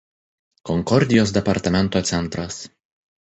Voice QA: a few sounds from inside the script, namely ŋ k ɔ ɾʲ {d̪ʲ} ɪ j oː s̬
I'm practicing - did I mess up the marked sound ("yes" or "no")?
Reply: no